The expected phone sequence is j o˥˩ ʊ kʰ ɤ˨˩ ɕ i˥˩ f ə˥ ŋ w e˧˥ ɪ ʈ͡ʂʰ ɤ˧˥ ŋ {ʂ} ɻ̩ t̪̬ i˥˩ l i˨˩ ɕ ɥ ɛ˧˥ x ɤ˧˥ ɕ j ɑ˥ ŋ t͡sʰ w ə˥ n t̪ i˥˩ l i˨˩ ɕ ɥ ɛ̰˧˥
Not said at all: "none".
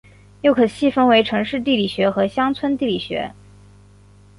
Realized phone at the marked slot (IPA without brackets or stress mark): ʂ